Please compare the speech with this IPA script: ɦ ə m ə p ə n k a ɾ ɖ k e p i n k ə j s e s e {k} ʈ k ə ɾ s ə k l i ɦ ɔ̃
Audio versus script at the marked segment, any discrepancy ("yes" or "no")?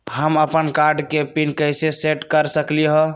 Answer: yes